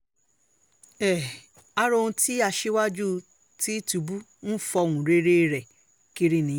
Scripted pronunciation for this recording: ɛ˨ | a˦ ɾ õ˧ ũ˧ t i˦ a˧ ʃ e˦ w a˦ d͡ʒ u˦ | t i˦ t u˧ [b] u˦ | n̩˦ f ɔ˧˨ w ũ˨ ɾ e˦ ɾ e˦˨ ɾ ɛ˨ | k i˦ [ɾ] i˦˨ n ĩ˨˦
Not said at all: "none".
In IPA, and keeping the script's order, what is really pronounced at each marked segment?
b, ɾ

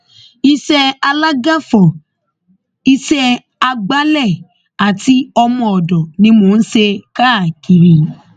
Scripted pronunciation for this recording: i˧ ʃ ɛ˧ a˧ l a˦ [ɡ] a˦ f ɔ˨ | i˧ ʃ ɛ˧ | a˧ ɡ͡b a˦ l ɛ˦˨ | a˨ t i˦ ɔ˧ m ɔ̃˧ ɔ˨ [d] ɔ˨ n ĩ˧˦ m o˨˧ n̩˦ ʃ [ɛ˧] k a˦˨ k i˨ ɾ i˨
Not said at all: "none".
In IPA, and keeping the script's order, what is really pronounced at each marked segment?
ɡ, d, e˧

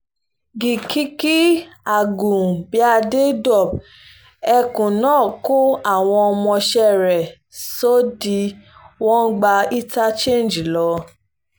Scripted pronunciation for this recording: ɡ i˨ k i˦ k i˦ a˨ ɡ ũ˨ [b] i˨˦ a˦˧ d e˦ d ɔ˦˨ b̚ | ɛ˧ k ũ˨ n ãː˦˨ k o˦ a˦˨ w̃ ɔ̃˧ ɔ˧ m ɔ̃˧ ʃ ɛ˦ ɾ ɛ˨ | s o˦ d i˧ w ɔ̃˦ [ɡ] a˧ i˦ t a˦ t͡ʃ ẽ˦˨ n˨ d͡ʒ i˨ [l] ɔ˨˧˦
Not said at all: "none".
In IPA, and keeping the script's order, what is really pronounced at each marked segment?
b, ɡ͡b, l

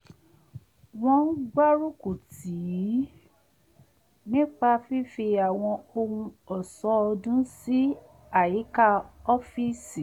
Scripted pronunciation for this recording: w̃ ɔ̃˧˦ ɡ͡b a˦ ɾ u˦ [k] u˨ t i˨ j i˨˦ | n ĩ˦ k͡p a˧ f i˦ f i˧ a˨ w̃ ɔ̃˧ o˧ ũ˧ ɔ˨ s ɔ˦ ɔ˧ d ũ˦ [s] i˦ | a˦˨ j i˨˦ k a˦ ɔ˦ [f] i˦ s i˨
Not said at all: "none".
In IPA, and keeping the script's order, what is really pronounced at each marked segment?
k, s, f

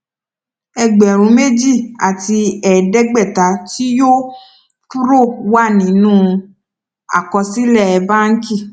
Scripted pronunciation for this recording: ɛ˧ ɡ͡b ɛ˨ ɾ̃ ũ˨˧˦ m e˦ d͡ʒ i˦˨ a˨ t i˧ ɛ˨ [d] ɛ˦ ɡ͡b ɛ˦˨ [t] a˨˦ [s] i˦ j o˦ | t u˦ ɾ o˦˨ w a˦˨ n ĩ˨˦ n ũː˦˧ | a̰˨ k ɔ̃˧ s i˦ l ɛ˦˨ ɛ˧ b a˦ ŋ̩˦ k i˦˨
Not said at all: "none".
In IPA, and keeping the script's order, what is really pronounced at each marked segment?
d, t, t

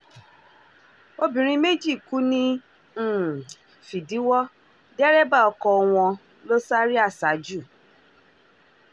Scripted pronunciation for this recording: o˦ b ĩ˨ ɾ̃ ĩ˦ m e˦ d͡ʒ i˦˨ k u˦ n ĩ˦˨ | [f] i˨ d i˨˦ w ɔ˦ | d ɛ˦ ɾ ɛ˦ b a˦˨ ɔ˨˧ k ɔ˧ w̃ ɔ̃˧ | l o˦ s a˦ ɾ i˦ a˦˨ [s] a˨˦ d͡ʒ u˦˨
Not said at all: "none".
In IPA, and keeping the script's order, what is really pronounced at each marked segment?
f, s

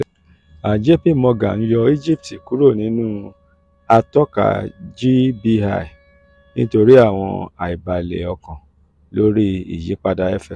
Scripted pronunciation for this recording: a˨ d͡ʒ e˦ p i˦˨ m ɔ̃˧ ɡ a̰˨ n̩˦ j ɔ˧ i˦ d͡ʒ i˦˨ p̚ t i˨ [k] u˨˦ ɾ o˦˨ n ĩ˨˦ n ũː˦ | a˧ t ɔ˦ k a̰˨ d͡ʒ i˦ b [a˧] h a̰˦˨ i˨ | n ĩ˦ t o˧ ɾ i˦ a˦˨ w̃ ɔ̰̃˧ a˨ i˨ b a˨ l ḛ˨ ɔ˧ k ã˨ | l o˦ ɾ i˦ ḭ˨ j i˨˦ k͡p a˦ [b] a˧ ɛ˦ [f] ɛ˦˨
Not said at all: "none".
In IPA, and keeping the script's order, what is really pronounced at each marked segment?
k, i˧, d, f

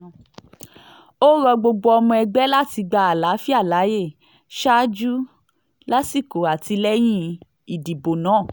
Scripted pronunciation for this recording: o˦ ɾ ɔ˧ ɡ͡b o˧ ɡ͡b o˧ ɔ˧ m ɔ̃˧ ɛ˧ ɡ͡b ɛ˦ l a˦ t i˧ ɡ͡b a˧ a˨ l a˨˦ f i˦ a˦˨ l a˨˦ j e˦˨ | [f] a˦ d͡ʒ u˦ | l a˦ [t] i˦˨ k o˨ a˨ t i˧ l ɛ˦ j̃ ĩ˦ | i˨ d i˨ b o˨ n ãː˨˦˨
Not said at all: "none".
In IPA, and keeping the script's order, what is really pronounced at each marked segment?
ʃ, s

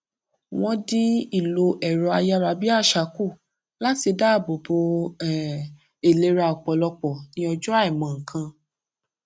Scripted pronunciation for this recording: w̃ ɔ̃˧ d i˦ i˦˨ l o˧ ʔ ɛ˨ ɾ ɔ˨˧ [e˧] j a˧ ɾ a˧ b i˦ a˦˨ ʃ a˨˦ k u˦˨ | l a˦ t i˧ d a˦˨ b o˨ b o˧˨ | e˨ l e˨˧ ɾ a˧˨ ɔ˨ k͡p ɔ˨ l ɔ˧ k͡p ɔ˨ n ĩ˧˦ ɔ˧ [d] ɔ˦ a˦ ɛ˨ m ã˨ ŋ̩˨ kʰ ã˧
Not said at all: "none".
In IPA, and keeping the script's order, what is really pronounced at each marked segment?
a˧, d͡ʒ

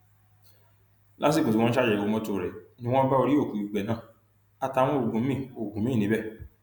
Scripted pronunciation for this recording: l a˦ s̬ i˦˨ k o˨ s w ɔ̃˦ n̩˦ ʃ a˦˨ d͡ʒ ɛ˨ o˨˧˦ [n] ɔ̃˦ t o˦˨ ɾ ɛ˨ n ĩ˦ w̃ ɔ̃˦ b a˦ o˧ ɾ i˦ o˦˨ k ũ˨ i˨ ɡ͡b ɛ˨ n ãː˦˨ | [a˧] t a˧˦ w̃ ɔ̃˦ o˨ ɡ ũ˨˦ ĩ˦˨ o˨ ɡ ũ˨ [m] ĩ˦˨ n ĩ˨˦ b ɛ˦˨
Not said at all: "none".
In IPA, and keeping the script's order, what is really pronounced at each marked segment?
m, a˧, m

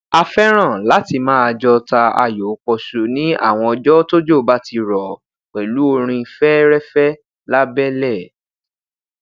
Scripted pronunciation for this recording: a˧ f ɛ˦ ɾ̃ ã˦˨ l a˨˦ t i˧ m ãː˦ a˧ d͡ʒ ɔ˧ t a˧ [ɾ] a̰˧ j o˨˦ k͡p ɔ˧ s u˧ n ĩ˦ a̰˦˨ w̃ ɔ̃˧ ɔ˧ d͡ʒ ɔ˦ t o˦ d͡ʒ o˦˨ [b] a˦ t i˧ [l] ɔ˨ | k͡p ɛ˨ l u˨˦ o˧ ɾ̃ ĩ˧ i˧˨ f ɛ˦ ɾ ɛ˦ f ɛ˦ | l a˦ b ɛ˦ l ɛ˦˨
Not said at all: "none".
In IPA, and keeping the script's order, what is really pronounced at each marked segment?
none, b, ɾ

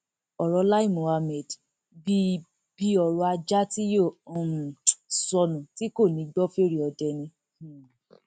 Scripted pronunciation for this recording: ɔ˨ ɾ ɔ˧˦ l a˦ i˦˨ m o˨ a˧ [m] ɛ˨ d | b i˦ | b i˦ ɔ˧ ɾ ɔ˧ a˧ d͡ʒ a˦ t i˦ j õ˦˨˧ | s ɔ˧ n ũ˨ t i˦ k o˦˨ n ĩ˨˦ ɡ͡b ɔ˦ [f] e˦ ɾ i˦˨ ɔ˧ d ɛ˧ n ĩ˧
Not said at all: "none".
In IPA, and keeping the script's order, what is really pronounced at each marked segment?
m, f

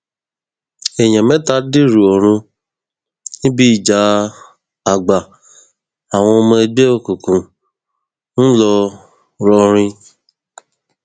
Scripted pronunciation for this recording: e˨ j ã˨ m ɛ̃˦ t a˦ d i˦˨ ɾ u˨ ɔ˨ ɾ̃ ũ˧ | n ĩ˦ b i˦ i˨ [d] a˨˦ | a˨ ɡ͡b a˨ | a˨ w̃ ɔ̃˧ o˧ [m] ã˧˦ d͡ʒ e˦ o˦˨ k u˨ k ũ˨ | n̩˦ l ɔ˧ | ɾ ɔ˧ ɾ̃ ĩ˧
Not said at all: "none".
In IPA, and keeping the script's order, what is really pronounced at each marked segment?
d͡ʒ, m

